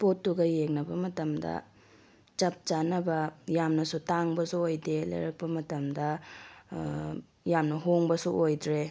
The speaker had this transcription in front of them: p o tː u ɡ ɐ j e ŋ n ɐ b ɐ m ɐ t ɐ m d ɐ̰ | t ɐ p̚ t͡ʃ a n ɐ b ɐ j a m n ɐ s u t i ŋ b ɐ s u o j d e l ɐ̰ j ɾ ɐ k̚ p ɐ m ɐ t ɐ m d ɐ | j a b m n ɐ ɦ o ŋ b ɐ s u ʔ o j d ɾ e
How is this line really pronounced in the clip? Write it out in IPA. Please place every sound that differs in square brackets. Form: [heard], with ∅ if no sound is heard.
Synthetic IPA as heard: p o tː u ɡ ɐ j e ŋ n ɐ b ɐ m ɐ t ɐ m d ɐ̰ | [t͡ʃ] ɐ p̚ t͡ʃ a n ɐ b ɐ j a m n ɐ s u t [a] ŋ b ɐ s u o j d e l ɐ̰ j ɾ ɐ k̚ p ɐ m ɐ t ɐ m d ɐ | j a [∅] m n ɐ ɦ o ŋ b ɐ s u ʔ o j d ɾ e